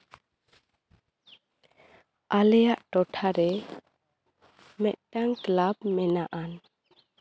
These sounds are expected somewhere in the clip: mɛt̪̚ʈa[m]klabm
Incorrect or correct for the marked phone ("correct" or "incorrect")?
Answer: incorrect